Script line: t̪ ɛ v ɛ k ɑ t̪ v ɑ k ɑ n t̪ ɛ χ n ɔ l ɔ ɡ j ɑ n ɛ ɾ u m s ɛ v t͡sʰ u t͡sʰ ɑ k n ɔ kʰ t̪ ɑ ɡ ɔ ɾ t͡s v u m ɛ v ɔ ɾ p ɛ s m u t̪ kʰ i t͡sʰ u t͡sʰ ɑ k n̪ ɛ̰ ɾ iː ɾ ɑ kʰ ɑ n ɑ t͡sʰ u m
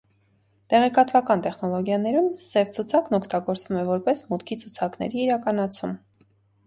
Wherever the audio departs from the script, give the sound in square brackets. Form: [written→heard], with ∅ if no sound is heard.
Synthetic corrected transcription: t̪ ɛ [v→ʁ] ɛ k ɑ t̪ v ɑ k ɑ n t̪ ɛ χ n ɔ l ɔ ɡ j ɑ n ɛ ɾ u m s ɛ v t͡sʰ u t͡sʰ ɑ k n ɔ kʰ t̪ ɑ ɡ ɔ ɾ t͡s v u m ɛ v ɔ ɾ p ɛ s m u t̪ kʰ i t͡sʰ u t͡sʰ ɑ k n̪ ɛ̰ ɾ iː ɾ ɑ [kʰ→k] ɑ n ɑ t͡sʰ u m